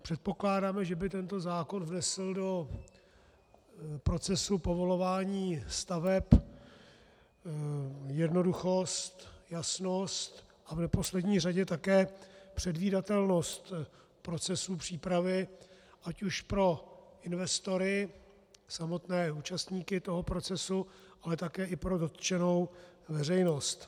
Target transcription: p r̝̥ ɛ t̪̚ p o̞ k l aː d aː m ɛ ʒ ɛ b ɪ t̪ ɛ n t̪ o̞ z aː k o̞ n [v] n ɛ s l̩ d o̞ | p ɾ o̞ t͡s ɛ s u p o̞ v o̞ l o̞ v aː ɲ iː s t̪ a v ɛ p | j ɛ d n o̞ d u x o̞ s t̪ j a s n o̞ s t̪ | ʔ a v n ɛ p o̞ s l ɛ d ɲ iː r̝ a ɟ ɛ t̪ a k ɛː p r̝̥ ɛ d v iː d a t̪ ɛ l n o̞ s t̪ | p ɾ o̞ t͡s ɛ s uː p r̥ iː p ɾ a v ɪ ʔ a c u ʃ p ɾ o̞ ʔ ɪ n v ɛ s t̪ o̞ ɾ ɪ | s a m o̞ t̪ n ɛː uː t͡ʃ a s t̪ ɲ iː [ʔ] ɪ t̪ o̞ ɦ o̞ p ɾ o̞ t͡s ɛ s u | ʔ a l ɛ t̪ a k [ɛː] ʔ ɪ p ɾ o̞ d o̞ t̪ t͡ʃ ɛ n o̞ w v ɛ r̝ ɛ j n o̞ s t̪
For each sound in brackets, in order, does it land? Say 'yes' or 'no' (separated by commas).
yes, no, yes